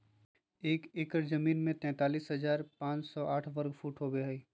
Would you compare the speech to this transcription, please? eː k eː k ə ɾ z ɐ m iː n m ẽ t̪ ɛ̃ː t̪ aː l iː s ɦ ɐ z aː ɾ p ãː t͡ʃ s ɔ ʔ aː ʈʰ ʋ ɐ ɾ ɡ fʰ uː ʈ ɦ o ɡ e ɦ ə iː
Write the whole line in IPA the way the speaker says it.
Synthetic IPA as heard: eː k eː k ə ɾ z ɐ m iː n m ẽ t̪ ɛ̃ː t̪ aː l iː s ɦ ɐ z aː ɾ p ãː t͡ʃ s ɔ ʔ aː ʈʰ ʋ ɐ ɾ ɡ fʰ uː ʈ ɦ o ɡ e ɦ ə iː